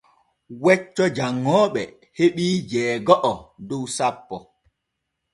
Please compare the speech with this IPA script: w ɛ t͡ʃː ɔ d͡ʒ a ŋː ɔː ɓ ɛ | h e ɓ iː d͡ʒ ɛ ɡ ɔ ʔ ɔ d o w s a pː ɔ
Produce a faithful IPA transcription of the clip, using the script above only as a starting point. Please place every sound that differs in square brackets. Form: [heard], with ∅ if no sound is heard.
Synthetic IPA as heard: w ɛ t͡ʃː ɔ d͡ʒ a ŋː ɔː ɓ ɛ | h e ɓ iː d͡ʒ [ɛː] ɡ ɔ ʔ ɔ d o w s a pː ɔ